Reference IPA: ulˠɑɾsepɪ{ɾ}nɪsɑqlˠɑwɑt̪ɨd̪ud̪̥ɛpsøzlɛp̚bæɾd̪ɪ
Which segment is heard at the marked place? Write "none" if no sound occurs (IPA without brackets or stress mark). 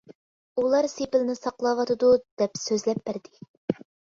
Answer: l